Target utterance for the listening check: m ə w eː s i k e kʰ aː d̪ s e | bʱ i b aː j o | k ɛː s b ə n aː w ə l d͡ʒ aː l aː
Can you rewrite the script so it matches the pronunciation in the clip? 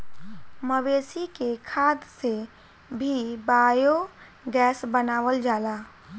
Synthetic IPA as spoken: m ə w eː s i k e kʰ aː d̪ s e | bʱ i b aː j o | ɡ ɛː s b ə n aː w ə l d͡ʒ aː l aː